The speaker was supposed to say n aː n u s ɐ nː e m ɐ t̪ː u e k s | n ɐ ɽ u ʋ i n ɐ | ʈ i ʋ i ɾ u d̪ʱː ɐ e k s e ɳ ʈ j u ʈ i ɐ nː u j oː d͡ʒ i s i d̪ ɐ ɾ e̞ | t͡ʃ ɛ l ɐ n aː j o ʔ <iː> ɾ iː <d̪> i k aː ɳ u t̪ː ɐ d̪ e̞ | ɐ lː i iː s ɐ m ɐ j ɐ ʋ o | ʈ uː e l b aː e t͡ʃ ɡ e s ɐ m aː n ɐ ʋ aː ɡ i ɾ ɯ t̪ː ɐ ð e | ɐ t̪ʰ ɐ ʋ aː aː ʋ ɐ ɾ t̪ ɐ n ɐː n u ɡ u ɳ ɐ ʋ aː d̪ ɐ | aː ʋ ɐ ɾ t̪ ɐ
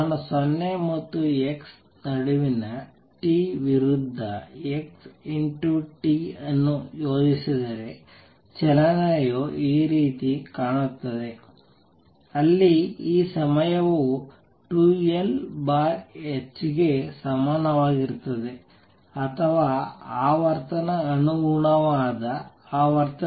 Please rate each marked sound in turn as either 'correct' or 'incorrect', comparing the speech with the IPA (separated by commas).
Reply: correct, incorrect